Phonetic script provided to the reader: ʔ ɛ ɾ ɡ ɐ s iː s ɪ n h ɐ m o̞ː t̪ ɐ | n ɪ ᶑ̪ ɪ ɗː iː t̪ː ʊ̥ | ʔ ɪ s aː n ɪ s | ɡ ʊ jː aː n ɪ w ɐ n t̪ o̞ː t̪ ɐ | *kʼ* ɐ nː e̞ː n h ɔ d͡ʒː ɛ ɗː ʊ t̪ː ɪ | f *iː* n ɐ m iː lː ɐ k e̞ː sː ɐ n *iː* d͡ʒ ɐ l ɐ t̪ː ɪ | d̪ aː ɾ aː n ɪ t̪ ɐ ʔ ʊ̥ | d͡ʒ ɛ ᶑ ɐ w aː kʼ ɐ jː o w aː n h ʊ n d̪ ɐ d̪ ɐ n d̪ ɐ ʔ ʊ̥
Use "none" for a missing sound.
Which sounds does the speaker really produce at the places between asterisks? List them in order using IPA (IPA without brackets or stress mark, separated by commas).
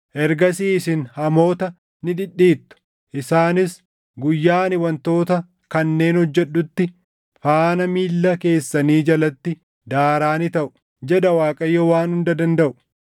k, aː, iː